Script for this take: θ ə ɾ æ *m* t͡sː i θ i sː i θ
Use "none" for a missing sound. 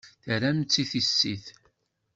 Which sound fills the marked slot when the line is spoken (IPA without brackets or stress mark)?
m